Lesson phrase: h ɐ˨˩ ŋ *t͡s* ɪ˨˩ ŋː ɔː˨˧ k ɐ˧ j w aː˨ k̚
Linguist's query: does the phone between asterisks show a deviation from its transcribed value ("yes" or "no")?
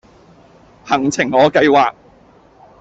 yes